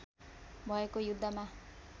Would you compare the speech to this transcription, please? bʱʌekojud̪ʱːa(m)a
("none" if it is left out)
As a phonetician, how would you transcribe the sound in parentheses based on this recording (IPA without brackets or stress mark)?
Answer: m